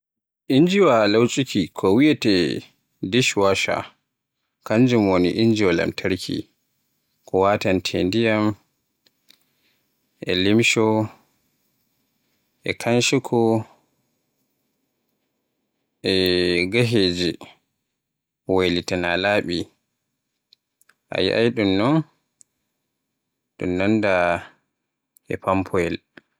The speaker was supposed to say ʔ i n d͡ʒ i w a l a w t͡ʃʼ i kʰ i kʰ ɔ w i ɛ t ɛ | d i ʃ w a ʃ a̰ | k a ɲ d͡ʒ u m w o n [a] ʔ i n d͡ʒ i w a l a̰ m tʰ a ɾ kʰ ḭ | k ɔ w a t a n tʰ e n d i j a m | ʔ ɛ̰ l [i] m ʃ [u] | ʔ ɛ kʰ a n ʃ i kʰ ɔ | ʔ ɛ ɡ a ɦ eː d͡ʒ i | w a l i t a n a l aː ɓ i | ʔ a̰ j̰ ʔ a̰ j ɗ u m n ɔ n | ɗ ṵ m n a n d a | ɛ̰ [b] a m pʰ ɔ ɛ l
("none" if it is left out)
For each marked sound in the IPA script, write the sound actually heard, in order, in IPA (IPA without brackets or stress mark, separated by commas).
i, i, ɔ, p